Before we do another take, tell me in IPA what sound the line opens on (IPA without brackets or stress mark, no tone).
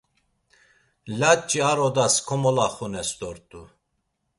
l